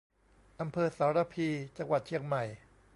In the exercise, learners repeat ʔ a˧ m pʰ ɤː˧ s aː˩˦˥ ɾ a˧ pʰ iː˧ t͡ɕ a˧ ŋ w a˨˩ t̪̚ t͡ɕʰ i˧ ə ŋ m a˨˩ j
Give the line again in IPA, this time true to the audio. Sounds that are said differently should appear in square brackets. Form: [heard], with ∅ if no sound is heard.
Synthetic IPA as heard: ʔ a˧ m pʰ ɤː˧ s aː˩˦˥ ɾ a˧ pʰ iː˧ t͡ɕ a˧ ŋ w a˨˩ t̪̚ t͡ɕʰ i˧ ə ŋ m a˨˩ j